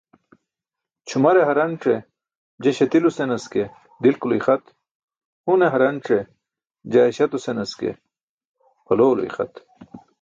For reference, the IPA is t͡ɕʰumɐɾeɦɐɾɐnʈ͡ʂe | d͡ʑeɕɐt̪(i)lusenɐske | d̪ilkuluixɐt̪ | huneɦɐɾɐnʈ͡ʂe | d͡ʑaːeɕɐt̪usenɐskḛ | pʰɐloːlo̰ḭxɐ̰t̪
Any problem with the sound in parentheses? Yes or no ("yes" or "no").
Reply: no